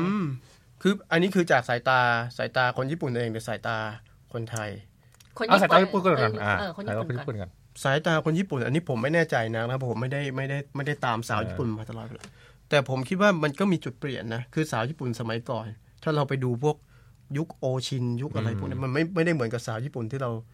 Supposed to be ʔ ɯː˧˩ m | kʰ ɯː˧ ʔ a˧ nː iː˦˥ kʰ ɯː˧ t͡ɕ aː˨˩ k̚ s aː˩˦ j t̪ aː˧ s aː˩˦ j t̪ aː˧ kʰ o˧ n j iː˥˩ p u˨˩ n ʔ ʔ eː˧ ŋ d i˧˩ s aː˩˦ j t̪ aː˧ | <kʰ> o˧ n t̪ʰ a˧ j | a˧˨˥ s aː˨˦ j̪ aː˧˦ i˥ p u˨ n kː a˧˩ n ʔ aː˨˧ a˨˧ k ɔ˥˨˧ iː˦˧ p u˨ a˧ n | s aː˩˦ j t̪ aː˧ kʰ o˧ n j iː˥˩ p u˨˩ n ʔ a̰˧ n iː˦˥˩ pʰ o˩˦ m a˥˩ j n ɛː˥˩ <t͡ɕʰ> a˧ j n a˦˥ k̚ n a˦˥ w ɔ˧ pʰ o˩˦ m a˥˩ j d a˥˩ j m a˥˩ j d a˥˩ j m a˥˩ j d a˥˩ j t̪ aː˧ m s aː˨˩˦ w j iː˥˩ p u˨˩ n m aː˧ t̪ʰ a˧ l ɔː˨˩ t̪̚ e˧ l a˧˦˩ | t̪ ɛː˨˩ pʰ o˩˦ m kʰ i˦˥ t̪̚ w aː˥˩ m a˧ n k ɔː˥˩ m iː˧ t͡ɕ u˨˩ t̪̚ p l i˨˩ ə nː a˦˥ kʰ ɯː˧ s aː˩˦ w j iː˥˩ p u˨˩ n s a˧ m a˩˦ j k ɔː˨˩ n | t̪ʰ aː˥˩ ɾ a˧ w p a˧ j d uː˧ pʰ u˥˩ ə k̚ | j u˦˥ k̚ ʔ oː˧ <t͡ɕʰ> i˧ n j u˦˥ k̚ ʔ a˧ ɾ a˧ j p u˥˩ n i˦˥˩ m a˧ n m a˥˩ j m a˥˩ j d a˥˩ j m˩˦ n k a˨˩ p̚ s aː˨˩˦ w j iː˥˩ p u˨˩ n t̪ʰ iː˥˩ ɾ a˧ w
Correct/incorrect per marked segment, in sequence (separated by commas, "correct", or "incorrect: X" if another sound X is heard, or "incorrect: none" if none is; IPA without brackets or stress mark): correct, incorrect: t͡ɕ, correct